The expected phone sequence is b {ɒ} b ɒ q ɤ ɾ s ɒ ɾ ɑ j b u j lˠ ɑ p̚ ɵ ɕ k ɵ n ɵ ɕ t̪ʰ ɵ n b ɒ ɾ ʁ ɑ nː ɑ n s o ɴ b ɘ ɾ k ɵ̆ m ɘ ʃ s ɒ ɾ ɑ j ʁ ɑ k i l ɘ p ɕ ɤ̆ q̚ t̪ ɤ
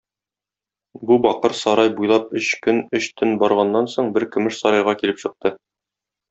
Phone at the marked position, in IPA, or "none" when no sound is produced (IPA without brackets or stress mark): u